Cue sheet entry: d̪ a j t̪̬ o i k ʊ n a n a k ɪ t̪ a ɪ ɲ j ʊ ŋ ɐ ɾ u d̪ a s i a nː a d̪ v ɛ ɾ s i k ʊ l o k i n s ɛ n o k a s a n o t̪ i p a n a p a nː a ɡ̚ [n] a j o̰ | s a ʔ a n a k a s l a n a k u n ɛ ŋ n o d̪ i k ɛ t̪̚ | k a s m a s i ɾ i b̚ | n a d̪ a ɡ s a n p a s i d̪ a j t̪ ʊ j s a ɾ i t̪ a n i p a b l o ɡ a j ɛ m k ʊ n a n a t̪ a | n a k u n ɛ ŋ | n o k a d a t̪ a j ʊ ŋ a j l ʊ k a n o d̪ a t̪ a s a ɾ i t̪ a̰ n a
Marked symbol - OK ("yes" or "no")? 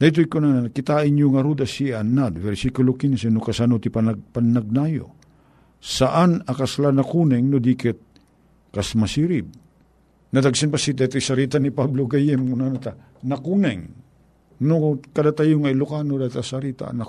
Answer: yes